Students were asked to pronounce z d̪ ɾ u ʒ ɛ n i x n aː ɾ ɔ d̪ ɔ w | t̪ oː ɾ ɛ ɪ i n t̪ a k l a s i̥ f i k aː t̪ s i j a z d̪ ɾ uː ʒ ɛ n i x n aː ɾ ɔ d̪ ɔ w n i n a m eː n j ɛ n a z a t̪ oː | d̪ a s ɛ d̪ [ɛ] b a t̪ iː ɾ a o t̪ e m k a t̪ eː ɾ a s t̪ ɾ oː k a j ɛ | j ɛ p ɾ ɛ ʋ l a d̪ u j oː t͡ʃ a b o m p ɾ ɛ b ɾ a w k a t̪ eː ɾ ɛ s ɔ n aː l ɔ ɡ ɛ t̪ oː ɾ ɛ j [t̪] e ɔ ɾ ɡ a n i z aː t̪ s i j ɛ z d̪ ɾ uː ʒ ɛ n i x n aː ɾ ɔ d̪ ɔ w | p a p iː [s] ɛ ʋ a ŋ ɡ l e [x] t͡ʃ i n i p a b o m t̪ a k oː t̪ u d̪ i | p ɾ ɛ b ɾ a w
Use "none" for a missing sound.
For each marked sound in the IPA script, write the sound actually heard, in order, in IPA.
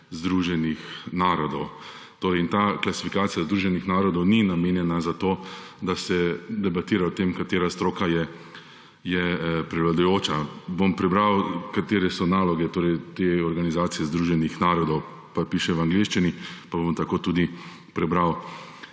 ɛ, t̪, ʃ, ʃ

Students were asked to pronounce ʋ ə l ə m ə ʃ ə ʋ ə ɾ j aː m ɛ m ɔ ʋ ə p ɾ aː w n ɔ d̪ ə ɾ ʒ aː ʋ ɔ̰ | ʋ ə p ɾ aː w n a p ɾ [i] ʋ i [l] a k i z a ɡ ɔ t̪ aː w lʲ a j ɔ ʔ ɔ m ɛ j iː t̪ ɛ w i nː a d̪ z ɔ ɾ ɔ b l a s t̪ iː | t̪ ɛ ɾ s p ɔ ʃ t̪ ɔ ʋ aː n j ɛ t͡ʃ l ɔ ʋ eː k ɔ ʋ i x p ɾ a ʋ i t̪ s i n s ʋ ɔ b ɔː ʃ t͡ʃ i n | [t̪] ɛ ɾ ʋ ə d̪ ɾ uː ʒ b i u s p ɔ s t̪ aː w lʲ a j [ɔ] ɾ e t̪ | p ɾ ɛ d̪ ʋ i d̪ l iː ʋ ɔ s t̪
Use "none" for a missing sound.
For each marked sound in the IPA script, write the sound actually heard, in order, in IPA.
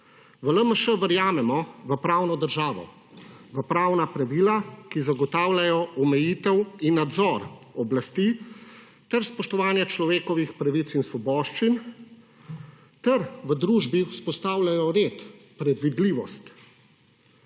a, l, t̪, ɔ

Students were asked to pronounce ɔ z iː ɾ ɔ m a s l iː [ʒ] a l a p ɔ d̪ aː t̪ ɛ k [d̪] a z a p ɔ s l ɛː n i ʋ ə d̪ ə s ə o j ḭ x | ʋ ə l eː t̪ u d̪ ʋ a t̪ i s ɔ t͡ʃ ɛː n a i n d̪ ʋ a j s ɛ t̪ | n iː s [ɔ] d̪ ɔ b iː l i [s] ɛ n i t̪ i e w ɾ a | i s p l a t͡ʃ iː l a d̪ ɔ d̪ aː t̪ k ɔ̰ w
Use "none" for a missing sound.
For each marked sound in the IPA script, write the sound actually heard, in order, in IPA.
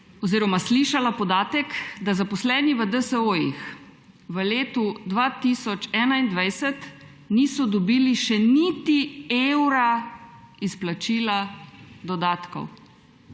ʃ, d̪, ɔ, ʃ

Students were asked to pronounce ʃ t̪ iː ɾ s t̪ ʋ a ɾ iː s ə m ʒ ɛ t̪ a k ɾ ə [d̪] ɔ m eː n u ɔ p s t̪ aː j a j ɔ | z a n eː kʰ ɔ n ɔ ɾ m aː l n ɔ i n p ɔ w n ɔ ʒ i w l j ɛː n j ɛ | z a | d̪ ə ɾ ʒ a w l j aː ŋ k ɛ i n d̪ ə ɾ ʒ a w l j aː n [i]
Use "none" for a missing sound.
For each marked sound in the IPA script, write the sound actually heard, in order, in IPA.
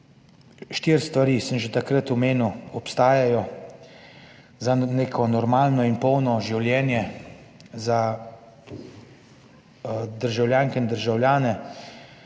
t̪, ɛ

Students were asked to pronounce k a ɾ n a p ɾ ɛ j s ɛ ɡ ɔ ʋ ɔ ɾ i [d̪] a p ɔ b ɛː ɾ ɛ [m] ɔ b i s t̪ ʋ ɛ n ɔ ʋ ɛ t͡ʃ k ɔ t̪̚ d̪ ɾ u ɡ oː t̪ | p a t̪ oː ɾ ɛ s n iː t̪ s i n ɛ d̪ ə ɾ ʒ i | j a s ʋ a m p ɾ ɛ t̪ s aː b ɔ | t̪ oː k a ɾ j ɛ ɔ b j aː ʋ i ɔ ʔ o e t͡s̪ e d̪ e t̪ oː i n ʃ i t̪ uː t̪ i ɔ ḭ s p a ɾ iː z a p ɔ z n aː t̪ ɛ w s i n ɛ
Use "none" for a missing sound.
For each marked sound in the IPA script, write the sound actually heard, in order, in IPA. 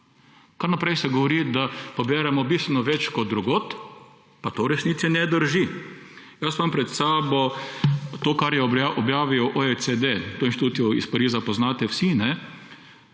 d̪, m

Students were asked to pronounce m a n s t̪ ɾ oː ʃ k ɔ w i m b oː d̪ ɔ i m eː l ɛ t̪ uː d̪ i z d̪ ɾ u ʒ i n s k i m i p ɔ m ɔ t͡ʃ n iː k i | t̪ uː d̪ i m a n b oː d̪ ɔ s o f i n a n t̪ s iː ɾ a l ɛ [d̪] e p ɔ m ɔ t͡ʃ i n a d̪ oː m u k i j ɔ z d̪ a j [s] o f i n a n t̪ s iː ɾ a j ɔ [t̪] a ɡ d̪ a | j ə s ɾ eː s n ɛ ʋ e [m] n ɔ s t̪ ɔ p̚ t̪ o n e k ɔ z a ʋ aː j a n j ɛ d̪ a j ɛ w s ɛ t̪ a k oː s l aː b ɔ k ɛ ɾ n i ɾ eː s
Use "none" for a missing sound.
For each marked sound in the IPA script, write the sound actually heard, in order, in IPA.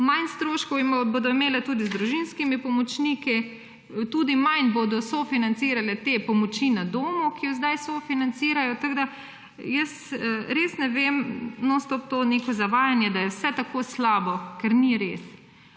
t̪, s, t̪, m

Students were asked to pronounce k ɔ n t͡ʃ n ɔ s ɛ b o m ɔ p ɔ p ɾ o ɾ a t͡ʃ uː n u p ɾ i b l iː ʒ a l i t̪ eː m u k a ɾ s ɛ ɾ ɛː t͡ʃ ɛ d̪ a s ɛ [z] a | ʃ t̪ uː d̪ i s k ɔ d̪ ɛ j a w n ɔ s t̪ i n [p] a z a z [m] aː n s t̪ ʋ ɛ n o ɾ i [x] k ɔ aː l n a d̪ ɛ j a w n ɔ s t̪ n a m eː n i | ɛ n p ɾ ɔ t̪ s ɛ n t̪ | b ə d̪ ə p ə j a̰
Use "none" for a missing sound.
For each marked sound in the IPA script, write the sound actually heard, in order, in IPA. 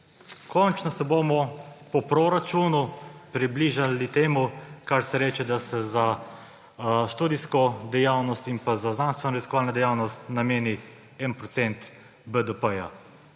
z, p, n, s

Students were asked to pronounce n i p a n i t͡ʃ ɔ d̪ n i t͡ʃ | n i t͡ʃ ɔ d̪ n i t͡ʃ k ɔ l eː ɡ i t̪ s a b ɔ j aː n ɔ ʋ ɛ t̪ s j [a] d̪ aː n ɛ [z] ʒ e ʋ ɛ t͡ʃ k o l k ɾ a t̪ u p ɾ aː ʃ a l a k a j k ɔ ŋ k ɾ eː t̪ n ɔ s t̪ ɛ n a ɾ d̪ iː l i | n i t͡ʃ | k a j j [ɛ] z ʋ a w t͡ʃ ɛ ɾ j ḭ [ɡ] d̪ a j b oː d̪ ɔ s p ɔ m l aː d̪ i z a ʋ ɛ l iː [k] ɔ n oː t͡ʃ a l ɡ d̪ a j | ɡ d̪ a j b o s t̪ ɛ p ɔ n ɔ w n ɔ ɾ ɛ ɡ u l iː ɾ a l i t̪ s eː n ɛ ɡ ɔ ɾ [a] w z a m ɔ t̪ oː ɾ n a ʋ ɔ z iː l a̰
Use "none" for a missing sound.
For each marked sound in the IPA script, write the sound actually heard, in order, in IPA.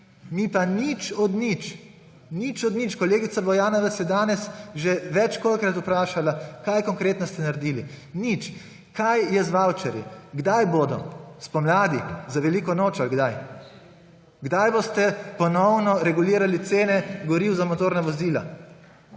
ɛ, s, ɛ, ɡ, k, i

